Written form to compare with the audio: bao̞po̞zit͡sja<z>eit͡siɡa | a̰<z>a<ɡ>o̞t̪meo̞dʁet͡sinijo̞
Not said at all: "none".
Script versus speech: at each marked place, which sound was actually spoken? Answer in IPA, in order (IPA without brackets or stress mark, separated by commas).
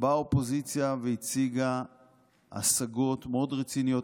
v, s, ɡ